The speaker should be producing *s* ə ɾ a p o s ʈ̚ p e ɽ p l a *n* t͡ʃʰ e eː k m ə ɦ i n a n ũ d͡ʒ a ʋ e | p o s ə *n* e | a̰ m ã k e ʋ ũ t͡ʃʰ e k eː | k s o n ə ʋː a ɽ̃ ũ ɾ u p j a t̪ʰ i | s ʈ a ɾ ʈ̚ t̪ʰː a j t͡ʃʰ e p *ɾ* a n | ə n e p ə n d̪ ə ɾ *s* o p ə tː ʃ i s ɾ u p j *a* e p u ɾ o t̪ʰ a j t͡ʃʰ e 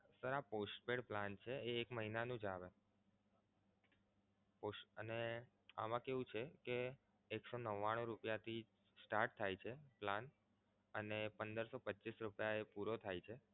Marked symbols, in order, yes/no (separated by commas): yes, yes, yes, no, yes, yes